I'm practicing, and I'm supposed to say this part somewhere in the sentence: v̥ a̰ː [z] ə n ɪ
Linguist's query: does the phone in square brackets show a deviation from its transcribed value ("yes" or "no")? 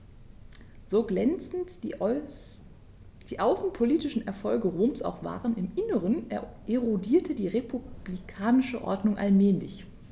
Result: yes